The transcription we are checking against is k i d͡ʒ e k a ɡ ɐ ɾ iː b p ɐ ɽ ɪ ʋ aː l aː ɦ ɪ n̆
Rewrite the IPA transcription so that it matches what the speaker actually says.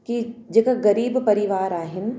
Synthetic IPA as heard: k i d͡ʒ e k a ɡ ɐ ɾ iː b p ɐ ɾ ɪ ʋ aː ɾ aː ɦ ɪ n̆